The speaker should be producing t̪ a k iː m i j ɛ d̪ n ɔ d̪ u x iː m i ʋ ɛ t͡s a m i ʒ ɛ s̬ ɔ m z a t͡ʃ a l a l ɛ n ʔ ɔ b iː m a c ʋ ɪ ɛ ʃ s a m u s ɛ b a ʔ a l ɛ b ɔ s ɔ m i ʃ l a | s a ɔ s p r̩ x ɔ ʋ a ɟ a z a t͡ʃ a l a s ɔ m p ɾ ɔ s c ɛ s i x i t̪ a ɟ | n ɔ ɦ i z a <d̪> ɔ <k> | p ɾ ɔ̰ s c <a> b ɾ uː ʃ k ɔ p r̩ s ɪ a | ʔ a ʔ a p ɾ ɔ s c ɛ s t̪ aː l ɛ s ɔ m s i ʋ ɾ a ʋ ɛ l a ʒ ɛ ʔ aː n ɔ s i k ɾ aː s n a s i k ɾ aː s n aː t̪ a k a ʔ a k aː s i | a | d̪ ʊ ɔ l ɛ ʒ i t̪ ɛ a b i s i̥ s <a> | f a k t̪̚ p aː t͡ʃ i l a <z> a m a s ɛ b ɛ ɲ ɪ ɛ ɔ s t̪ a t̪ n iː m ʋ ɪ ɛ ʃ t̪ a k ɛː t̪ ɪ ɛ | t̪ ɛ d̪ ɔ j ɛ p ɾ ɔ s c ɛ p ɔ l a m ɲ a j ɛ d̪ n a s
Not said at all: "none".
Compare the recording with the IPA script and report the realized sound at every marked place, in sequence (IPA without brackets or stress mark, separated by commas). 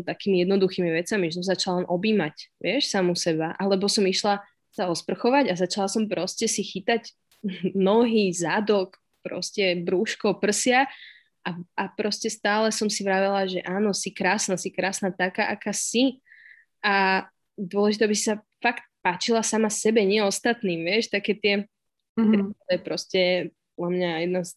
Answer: d̪, k, ɛ, a, s